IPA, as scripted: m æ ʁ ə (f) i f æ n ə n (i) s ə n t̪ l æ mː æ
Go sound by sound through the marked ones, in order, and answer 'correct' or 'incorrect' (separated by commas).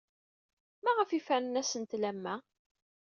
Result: correct, incorrect